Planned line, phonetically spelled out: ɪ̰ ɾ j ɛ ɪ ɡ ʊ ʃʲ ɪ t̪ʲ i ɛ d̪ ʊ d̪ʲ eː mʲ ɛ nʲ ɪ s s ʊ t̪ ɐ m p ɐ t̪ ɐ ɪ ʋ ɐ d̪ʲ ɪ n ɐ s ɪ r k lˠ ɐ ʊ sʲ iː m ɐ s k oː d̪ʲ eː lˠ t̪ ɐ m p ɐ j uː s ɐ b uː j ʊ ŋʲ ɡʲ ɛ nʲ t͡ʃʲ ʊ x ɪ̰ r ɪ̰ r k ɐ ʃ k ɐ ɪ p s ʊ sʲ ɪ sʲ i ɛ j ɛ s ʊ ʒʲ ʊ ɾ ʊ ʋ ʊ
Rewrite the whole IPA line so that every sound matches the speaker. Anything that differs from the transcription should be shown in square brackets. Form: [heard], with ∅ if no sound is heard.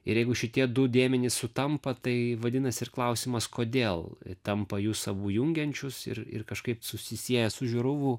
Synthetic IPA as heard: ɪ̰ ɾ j ɛ ɪ ɡ ʊ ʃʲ ɪ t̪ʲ i ɛ d̪ ʊ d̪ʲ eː mʲ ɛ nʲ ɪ s s ʊ t̪ ɐ m p ɐ t̪ ɐ ɪ ʋ ɐ d̪ʲ ɪ n ɐ s ɪ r k lˠ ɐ ʊ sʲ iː m ɐ s k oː d̪ʲ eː lˠ t̪ ɐ m p ɐ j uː s ɐ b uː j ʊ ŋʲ ɡʲ ɛ nʲ t͡ʃʲ ʊ [s] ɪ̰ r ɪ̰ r k ɐ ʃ k ɐ ɪ p s ʊ sʲ ɪ sʲ i ɛ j ɛ s ʊ ʒʲ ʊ ɾ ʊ ʋ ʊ